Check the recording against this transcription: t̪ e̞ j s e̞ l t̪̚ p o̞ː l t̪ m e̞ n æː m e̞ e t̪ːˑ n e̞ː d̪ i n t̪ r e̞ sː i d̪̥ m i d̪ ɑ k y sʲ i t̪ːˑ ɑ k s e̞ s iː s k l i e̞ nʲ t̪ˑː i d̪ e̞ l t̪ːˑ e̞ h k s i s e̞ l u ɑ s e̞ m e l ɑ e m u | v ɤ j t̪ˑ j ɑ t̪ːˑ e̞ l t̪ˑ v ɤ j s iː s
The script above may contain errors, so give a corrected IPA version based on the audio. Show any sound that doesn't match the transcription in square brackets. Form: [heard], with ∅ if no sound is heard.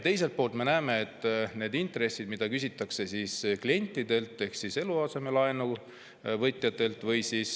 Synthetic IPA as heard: t̪ e̞ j s e̞ l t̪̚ p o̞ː l t̪ m e̞ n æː m e̞ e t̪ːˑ n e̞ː d̪ i n t̪ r e̞ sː i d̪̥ m i d̪ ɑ k y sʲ i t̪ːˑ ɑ k s e̞ s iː s k l i e̞ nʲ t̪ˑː i d̪ e̞ l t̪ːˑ e̞ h k s i s e̞ l u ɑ s e̞ m e l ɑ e [n] u | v ɤ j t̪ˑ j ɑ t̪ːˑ e̞ l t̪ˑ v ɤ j s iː s